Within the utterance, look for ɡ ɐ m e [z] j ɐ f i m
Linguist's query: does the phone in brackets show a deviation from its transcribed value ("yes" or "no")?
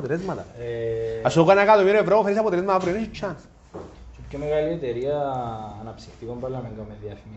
yes